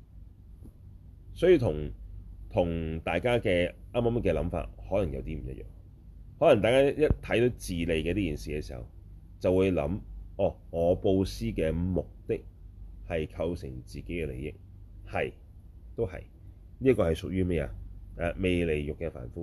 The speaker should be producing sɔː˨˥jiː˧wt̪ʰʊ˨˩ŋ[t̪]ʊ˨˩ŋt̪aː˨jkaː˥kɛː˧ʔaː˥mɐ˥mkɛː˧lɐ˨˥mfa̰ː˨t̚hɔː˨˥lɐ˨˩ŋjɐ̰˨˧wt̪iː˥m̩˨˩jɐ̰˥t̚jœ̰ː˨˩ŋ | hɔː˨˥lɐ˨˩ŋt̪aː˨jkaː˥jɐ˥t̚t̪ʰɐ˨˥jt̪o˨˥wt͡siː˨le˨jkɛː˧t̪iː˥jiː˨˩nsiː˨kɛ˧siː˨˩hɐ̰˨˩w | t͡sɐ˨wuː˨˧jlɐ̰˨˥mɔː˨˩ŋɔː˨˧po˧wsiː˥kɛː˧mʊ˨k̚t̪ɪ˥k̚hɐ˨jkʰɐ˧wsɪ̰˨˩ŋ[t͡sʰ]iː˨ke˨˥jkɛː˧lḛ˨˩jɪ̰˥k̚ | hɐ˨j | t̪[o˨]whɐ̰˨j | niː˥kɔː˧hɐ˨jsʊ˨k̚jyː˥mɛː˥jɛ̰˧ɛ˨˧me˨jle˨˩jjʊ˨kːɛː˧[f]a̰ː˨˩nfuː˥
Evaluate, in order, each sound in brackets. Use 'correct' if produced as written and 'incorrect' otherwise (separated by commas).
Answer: incorrect, incorrect, incorrect, correct